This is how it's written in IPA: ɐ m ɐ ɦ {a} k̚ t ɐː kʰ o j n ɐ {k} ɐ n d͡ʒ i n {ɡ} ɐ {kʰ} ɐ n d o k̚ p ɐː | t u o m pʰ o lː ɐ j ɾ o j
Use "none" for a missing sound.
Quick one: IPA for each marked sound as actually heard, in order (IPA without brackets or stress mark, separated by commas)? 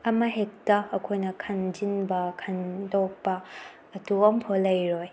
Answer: e, kʰ, b, kʰ